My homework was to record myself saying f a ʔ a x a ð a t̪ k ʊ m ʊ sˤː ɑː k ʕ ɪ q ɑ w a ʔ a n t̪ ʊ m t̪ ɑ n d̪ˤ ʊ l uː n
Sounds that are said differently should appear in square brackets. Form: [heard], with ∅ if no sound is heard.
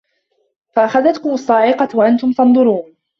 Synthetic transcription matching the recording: f a ʔ a x a ð a t̪ k ʊ m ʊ sˤː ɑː [∅] ʕ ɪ q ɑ w a ʔ a n t̪ ʊ m t̪ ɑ n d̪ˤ ʊ [ɾ] uː n